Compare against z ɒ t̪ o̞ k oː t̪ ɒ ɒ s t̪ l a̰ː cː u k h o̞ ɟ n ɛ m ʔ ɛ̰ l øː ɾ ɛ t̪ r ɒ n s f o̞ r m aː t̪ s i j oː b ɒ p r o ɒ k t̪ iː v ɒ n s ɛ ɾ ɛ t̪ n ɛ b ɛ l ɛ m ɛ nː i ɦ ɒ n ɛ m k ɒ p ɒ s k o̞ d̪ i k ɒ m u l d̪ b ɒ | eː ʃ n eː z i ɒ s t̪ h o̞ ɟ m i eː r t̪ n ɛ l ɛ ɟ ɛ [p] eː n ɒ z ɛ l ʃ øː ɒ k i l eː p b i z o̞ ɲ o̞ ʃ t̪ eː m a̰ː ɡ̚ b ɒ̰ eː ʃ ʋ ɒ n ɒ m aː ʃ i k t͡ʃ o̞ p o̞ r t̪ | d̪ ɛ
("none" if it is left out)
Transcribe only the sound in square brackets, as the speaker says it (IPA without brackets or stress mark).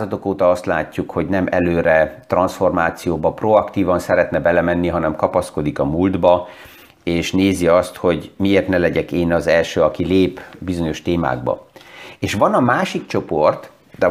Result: k